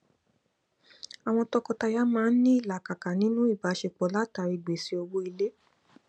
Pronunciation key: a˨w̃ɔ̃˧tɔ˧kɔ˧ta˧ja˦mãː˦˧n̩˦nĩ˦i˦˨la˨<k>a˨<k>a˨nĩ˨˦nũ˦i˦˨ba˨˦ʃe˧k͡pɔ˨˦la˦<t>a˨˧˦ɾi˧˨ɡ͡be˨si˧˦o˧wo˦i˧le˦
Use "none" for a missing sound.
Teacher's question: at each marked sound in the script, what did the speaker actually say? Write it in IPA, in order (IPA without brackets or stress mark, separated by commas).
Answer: k, k, t